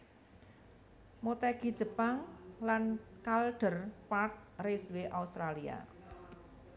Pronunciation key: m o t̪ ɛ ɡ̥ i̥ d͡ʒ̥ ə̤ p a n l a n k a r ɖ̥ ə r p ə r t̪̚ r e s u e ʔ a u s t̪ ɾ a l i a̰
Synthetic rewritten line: m o t̪ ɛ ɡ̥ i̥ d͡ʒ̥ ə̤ p a ŋ l a n k a l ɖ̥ ə r p a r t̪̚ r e s w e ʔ a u s t̪ ɾ a l i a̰